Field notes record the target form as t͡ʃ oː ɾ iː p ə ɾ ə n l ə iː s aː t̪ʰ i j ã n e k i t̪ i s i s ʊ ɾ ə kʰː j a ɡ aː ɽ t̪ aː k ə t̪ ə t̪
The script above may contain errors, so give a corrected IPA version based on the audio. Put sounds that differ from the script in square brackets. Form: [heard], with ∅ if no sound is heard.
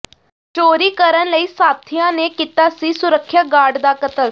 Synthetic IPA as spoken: t͡ʃ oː ɾ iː [k] ə ɾ ə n l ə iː s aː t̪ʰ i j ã n e k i t̪ [a] s i s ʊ ɾ ə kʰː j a ɡ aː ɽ [d̪] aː k ə t̪ ə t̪

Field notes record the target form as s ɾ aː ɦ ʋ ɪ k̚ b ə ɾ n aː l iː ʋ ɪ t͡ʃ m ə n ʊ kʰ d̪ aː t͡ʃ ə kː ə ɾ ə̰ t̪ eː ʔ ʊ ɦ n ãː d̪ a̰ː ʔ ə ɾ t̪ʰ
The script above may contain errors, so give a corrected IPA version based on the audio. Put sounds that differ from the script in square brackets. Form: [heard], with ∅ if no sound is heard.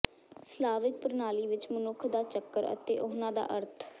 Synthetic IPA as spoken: s [l] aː [∅] ʋ ɪ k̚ [p] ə ɾ n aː l iː ʋ ɪ t͡ʃ m ə n ʊ kʰ d̪ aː t͡ʃ ə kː ə ɾ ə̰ t̪ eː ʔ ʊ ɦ n ãː d̪ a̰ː ʔ ə ɾ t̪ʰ

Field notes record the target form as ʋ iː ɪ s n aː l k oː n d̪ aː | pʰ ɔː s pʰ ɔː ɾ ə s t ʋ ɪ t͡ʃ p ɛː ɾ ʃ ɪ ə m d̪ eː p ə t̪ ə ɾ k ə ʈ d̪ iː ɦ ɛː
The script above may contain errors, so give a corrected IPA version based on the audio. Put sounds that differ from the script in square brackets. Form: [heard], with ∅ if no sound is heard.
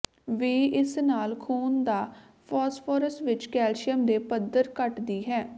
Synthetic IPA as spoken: ʋ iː ɪ s n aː l [kʰ] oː n d̪ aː | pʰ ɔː s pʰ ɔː ɾ ə s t ʋ ɪ t͡ʃ [k] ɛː [l] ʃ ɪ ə m d̪ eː p ə [d̪] ə ɾ k ə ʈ d̪ iː ɦ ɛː

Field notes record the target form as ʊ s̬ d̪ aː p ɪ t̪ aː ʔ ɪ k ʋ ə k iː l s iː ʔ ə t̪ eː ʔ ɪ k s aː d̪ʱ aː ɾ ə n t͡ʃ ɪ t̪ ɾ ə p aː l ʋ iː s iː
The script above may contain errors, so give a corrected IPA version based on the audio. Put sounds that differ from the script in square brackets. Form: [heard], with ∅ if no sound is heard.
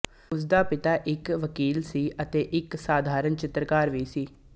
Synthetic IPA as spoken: ʊ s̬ d̪ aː p ɪ t̪ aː ʔ ɪ k ʋ ə k iː l s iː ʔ ə t̪ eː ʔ ɪ k s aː d̪ʱ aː ɾ ə n t͡ʃ ɪ t̪ ɾ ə [k] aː [ɾ] ʋ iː s iː

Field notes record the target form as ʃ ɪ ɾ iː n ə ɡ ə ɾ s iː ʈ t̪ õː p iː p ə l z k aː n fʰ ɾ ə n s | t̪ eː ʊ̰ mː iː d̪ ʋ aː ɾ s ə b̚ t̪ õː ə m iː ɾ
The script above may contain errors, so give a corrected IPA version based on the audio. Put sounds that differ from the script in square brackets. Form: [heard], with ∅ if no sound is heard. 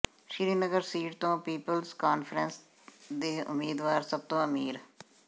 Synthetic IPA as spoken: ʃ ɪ ɾ iː n ə ɡ ə ɾ s iː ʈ t̪ õː p iː p ə l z k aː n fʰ ɾ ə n s | [d̪] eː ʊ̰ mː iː d̪ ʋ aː ɾ s ə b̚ t̪ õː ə m iː ɾ

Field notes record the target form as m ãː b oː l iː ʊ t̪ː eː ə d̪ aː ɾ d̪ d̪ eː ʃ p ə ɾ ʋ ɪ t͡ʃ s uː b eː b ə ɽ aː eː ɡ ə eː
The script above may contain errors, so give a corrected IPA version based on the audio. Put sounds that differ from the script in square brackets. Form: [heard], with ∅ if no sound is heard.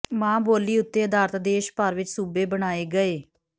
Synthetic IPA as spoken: m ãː b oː l iː ʊ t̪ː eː ə d̪ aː ɾ [t̪] d̪ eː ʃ p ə ɾ ʋ ɪ t͡ʃ s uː b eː b ə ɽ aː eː ɡ ə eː

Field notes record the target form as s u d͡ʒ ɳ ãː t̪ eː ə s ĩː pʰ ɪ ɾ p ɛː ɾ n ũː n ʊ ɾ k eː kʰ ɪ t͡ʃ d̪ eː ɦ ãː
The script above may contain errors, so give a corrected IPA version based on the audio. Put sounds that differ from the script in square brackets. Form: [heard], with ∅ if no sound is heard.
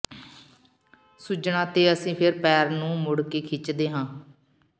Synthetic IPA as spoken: s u d͡ʒ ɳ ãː t̪ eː ə s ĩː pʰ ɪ ɾ p ɛː ɾ n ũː [m] ʊ [ɽ] k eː kʰ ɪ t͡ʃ d̪ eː ɦ ãː

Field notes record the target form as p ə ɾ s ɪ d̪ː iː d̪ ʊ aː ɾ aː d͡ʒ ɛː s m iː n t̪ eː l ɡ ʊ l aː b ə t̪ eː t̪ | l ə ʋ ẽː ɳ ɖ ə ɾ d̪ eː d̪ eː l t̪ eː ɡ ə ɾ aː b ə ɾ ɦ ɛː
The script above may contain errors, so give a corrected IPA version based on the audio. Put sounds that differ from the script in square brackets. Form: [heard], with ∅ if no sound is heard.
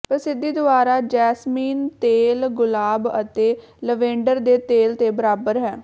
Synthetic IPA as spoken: p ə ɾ s ɪ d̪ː iː d̪ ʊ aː ɾ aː d͡ʒ ɛː s m iː n t̪ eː l ɡ ʊ l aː b ə t̪ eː [∅] | l ə ʋ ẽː ɳ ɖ ə ɾ d̪ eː [t̪] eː l t̪ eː [b] ə ɾ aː b ə ɾ ɦ ɛː

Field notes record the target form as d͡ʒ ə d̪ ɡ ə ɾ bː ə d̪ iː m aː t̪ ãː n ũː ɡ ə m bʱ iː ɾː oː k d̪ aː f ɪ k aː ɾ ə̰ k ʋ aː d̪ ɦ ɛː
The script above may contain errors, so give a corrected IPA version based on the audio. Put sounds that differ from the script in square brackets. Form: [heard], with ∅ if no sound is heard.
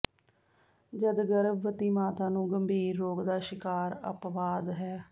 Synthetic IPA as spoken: d͡ʒ ə d̪ ɡ ə ɾ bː ə [t̪] iː m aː t̪ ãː n ũː ɡ ə m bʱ iː ɾː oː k d̪ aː [ʃ] ɪ k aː ɾ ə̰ [p] ʋ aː d̪ ɦ ɛː

